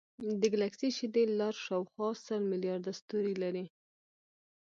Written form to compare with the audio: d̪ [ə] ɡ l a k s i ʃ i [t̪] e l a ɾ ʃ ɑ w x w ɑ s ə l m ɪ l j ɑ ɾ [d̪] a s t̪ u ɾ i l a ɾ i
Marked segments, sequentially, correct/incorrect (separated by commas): correct, incorrect, correct